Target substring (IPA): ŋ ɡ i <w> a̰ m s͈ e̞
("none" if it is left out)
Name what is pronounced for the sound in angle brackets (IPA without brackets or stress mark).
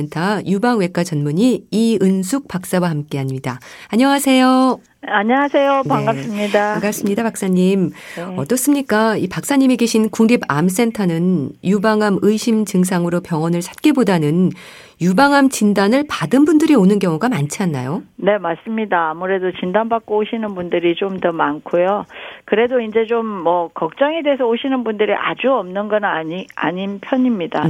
b